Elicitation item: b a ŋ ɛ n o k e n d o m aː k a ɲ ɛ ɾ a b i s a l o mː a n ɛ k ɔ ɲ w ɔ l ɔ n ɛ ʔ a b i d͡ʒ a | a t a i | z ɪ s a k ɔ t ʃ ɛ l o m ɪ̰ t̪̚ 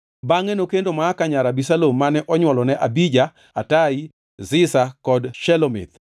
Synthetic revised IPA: b a ŋ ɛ n o k e n d o m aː k a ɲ a ɾ a b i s a l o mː a n ɛ ʔ ɔ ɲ w ɔ l ɔ n ɛ ʔ a b i d͡ʒ a | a t a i | z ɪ s a k ɔ d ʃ ɛ l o m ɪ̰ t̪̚